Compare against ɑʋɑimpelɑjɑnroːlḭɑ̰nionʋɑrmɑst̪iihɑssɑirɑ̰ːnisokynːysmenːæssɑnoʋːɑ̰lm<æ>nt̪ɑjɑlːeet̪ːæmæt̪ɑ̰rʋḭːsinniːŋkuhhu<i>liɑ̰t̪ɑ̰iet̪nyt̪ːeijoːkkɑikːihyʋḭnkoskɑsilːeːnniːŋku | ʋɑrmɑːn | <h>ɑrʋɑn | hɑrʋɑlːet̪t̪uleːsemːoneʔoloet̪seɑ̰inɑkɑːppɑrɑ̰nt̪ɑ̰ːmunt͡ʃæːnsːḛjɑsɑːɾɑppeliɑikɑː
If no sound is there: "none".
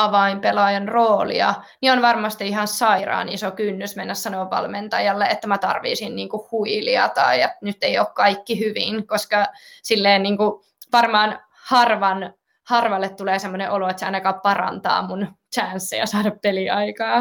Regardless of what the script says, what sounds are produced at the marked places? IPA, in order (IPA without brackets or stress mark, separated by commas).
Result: e, i, h